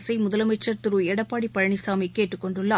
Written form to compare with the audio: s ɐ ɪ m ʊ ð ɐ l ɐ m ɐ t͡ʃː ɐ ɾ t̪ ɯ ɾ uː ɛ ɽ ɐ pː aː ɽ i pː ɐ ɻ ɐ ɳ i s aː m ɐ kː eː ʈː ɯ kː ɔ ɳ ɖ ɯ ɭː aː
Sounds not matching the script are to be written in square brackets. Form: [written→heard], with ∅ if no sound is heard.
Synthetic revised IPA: s ɐ ɪ m ʊ ð ɐ l ɐ m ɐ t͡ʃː ɐ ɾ t̪ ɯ ɾ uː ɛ ɽ ɐ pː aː ɽ i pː ɐ ɻ ɐ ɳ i s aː m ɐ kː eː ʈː ɯ kː ɔ ɳ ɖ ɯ ɭː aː